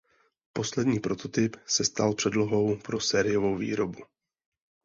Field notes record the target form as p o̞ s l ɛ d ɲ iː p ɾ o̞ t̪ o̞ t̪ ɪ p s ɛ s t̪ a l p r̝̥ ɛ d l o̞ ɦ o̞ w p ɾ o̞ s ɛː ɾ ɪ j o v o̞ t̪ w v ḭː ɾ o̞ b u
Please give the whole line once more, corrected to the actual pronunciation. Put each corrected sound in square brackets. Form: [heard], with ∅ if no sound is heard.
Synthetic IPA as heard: p o̞ s l ɛ d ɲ iː p ɾ o̞ t̪ o̞ t̪ ɪ p s ɛ s t̪ a l p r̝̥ ɛ d l o̞ ɦ o̞ w p ɾ o̞ s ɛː ɾ ɪ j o v o̞ [∅] w v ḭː ɾ o̞ b u